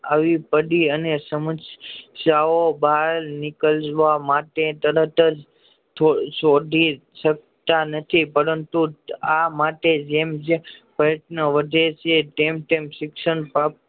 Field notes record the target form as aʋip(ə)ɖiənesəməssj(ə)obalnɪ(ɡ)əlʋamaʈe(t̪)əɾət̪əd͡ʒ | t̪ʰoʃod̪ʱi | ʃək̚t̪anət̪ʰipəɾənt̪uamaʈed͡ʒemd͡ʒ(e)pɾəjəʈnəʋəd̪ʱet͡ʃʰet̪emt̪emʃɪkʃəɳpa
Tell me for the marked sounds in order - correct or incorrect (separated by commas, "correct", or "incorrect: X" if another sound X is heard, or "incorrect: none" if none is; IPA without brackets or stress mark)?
correct, incorrect: a, incorrect: k, correct, correct